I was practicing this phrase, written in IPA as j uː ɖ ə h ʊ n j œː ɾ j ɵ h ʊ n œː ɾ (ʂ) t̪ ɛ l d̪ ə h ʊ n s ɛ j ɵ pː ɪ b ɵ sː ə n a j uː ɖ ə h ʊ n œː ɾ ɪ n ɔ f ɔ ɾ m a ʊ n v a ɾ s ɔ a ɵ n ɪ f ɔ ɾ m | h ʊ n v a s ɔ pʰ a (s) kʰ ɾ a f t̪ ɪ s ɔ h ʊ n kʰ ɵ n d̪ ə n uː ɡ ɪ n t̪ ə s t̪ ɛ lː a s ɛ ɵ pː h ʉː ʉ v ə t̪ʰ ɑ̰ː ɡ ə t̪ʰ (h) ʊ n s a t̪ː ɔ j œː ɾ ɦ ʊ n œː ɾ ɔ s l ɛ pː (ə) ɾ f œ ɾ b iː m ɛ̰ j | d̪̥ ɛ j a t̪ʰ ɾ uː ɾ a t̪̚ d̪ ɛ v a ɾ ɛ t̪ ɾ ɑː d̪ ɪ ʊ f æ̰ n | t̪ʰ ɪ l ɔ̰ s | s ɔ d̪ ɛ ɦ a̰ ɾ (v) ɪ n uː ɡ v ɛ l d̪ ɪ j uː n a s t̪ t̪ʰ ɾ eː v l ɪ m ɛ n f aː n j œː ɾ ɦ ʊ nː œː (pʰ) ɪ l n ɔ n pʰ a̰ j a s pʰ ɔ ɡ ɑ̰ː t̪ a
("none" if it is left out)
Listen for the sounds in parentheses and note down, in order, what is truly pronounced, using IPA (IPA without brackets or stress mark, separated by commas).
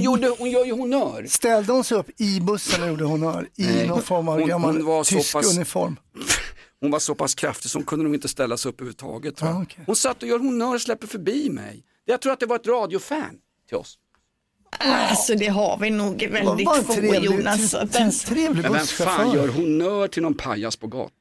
s, s, h, ə, v, ʈʰ